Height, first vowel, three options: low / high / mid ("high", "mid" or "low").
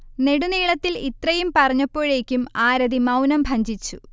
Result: mid